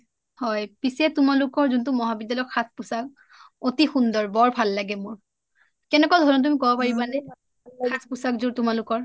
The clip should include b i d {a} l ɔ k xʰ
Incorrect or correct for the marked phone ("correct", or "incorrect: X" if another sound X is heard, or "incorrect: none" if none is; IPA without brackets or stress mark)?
correct